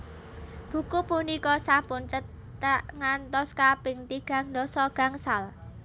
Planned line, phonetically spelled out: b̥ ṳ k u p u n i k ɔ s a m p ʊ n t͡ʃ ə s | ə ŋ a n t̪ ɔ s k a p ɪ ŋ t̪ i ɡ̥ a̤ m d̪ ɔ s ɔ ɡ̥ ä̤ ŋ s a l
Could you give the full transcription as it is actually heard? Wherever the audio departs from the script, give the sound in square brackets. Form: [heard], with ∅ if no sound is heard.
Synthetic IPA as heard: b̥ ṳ k u p u n i k ɔ s a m p ʊ n t͡ʃ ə [∅] | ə ŋ a n t̪ ɔ s k a p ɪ ŋ t̪ i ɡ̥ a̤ [ŋ] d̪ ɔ s ɔ ɡ̥ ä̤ ŋ s a l

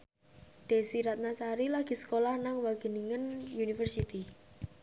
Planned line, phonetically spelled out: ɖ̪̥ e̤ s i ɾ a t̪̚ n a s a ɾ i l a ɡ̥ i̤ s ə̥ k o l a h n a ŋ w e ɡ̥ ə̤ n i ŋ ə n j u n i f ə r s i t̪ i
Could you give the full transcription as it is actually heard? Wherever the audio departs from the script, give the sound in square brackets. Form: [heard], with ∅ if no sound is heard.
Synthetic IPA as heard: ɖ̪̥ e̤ s i ɾ a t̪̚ n a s a ɾ i l a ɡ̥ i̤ s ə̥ k o l a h n a ŋ w [a] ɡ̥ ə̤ n i ŋ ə n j u n i f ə r s i t̪ i

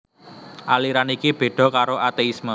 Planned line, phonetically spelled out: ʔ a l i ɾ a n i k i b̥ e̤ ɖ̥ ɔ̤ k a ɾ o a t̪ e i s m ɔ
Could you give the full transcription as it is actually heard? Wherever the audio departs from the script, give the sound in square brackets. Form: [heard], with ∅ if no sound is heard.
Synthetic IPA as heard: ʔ a l i ɾ a n i k i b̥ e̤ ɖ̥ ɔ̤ k a ɾ o a t̪ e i s m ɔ

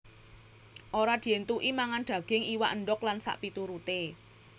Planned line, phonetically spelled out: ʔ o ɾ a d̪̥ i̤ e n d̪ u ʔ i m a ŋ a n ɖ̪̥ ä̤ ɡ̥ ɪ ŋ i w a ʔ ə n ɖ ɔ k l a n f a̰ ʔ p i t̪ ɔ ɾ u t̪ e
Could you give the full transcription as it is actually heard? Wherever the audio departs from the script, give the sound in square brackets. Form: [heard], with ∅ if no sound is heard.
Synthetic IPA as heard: ʔ o ɾ a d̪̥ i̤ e n [t̪] u ʔ i m a ŋ a n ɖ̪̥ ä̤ ɡ̥ ɪ ŋ i w a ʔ ə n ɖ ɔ k l a n [s] a̰ ʔ p i t̪ [u] ɾ u t̪ e

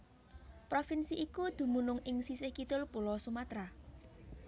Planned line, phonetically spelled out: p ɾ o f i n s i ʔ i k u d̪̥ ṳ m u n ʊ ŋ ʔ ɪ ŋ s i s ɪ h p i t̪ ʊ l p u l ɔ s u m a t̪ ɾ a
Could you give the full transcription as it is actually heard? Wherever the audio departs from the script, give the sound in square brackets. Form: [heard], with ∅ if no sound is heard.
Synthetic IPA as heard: p ɾ o f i n s i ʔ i k u d̪̥ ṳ m u n ʊ ŋ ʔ ɪ ŋ s i s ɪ h [k] i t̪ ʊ l p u l ɔ s u m a t̪ ɾ a

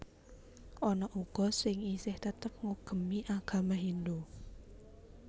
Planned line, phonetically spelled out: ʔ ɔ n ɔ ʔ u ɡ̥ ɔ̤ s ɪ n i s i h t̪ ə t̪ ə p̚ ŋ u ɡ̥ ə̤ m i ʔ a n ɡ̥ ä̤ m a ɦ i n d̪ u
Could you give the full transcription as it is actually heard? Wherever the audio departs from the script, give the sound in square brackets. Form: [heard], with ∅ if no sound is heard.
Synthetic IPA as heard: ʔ ɔ n ɔ ʔ u ɡ̥ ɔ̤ s ɪ [ŋ] i s [ɪ] h t̪ ə t̪ ə p̚ ŋ u ɡ̥ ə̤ m i ʔ a [∅] ɡ̥ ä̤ m a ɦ i n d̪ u

